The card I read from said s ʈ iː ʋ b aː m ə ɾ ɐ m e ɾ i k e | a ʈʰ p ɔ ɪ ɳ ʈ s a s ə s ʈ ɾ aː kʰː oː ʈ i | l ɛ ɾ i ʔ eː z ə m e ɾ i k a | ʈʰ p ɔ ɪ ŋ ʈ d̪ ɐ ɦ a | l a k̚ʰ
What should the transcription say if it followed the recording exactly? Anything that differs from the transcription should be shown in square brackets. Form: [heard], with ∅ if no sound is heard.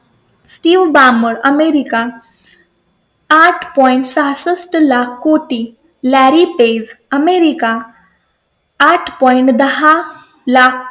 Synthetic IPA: s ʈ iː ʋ b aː m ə ɾ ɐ m e ɾ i k [a] | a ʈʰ p ɔ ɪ ɳ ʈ s a s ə s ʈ [l] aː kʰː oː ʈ i | l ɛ ɾ i [p] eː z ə m e ɾ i k a | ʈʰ p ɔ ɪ [ɳ] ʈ d̪ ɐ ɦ a | l a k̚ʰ